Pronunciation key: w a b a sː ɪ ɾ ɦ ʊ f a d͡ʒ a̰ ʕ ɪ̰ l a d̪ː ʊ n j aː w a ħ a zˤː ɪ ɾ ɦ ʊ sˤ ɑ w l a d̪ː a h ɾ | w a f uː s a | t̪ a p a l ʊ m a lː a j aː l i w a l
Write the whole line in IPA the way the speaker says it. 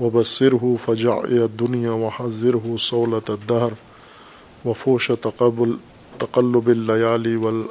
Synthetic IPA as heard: w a b a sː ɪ ɾ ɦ ʊ f a d͡ʒ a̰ ʕ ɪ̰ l a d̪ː ʊ n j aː w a ħ a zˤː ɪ ɾ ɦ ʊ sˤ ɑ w l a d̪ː a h ɾ | w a f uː ʃ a | t̪ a q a lː ʊ b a lː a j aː l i w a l